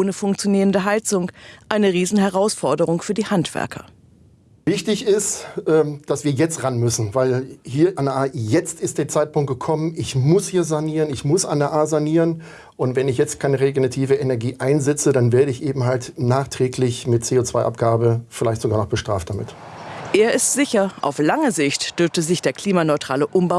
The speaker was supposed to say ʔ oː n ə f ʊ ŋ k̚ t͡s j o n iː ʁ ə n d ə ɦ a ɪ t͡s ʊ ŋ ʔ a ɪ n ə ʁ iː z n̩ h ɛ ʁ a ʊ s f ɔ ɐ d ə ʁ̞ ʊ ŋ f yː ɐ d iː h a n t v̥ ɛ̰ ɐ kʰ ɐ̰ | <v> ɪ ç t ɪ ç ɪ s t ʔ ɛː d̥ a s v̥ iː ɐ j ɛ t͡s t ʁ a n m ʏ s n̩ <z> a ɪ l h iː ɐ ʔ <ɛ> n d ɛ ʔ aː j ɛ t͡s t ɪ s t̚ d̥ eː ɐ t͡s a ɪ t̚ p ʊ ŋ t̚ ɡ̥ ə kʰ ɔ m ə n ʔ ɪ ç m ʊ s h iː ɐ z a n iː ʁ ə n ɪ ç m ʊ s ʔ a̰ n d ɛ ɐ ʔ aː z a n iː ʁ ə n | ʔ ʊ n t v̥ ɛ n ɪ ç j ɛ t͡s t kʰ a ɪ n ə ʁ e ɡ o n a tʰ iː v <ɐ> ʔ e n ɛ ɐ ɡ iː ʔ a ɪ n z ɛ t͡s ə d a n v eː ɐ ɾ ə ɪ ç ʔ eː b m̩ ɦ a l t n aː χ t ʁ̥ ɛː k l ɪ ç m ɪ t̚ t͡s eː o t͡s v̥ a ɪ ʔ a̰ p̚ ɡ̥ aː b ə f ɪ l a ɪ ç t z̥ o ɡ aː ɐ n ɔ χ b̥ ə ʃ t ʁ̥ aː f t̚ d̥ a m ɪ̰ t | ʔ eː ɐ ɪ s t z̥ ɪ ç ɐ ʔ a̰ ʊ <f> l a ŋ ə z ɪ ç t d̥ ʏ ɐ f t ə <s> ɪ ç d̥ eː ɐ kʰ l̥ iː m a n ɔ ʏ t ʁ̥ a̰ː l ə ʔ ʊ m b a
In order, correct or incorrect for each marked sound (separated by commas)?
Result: correct, incorrect, incorrect, incorrect, correct, incorrect